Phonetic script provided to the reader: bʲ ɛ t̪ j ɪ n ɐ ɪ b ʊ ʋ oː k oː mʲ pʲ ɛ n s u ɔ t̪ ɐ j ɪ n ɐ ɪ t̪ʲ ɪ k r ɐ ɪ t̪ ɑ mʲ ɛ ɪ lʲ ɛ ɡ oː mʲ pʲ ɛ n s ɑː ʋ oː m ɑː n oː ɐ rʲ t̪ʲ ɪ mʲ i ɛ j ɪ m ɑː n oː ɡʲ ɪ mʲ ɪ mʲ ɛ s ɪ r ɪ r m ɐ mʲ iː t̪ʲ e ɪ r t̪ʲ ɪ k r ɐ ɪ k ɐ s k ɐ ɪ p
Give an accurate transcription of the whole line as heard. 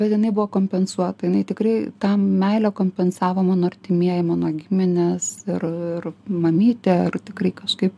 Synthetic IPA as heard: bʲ ɛ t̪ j ɪ n ɐ ɪ b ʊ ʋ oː k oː mʲ pʲ ɛ n s u ɔ t̪ ɐ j ɪ n ɐ ɪ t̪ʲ ɪ k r ɐ ɪ t̪ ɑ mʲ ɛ ɪ lʲ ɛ k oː mʲ pʲ ɛ n s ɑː ʋ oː m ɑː n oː ɐ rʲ t̪ʲ ɪ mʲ i ɛ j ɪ m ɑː n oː ɡʲ ɪ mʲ ɪ nʲ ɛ s ɪ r ɪ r m ɐ mʲ iː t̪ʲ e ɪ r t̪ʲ ɪ k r ɐ ɪ k ɐ ʃ k ɐ ɪ p